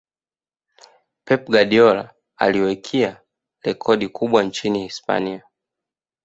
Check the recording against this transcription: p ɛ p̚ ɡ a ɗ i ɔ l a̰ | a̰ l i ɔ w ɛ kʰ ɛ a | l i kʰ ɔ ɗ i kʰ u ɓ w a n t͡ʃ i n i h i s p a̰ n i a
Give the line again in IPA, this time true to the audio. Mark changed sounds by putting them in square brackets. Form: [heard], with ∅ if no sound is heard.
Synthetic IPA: p ɛ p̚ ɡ a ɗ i ɔ l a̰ | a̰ l i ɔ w ɛ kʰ [i] a | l [ɛ] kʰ ɔ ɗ i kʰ u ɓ w a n t͡ʃ i n i h i s p a̰ n i a